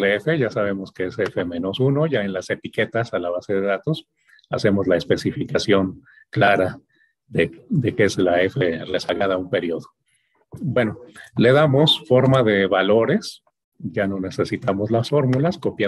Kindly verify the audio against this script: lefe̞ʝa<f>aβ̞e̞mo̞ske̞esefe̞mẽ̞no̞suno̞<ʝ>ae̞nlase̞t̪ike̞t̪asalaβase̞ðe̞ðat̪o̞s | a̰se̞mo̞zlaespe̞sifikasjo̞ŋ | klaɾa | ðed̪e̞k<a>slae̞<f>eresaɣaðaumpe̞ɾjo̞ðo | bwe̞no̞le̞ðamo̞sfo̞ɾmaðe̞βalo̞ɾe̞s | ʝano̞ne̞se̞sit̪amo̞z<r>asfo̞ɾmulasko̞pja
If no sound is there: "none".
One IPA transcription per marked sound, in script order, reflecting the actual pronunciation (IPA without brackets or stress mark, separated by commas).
s, ʝ, e, f, l